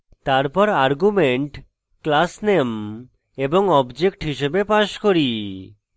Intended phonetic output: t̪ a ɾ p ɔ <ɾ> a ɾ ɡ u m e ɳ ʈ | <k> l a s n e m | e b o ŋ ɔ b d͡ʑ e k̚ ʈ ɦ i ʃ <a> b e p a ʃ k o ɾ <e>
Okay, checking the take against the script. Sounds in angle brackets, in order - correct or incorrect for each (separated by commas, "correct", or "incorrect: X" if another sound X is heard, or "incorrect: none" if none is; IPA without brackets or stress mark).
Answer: correct, correct, incorrect: e, incorrect: i